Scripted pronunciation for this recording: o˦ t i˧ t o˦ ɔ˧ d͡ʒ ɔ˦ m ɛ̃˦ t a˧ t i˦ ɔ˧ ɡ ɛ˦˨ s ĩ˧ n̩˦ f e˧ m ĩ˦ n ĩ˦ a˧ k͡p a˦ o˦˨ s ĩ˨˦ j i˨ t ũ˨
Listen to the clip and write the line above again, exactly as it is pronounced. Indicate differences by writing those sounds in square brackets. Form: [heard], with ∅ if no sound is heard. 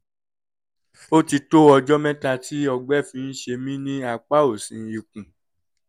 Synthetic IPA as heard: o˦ t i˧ t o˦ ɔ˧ d͡ʒ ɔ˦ m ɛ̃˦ t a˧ t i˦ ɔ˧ [ɡ͡b] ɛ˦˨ [f] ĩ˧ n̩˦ [ʃ] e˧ m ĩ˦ n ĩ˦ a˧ k͡p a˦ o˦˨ s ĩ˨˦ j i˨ [k] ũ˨